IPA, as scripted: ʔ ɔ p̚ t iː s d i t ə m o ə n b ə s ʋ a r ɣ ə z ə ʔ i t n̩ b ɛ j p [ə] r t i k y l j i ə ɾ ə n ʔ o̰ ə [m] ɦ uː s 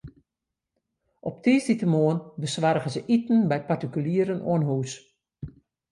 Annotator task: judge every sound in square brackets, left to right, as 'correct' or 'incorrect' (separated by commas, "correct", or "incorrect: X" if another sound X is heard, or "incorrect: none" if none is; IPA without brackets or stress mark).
incorrect: a, incorrect: n